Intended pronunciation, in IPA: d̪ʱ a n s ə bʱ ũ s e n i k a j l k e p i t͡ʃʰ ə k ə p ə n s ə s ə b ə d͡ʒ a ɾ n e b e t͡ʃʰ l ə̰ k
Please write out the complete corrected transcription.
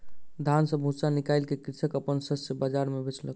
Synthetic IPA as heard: d̪ʱ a n s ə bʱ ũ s a n i k a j l k e k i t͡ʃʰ ə k ə p ə n s ə s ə b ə d͡ʒ a ɾ m e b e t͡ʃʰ l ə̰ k